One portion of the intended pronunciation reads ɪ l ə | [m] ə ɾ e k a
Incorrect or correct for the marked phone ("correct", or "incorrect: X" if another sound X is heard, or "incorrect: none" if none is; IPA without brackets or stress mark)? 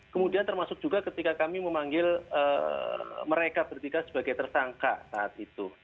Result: correct